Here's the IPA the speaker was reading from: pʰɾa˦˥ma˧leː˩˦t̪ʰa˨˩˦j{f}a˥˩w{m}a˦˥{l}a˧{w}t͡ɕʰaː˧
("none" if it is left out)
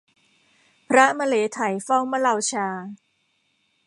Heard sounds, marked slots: f, m, l, w

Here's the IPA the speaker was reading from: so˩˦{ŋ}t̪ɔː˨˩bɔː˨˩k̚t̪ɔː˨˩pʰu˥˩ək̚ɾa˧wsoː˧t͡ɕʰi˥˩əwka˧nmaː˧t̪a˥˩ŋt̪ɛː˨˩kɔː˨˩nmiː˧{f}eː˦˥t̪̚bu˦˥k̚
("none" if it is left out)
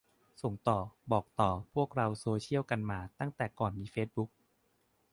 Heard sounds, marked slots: ŋ, f

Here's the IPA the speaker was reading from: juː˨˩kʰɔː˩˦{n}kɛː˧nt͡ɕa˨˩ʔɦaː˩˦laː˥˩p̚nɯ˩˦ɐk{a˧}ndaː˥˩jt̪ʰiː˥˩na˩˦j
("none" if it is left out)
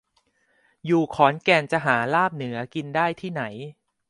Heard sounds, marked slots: n, i˧

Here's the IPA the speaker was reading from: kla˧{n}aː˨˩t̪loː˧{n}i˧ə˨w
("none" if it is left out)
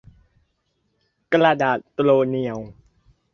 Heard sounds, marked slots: d, n

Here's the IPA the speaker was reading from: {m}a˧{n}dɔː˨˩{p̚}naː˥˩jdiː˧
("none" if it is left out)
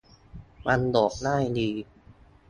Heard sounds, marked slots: m, n, k̚

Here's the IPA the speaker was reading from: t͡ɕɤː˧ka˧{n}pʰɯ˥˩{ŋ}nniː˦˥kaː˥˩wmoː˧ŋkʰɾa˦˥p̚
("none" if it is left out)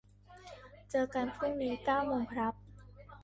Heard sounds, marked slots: n, none

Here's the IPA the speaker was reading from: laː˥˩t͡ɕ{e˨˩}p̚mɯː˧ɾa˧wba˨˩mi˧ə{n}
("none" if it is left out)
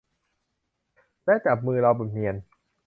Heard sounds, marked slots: a˨˩, n

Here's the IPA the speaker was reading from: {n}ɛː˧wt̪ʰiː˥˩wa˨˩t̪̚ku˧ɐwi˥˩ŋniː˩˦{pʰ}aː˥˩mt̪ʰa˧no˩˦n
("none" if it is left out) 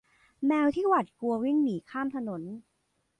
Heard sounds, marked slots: m, kʰ

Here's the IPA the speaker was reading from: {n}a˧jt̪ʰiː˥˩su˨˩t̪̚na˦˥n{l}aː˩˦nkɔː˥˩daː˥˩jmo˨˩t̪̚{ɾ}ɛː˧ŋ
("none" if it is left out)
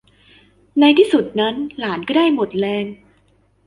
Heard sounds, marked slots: n, l, l

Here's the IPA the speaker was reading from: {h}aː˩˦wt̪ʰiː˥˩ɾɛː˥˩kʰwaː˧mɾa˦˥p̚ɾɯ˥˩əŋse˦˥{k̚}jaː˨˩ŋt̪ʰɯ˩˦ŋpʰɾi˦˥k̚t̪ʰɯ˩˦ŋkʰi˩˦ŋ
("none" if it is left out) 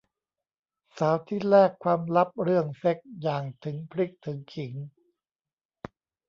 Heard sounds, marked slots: s, k̚

